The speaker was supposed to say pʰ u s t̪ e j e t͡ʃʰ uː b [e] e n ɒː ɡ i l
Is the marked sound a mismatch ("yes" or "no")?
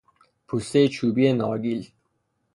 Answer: yes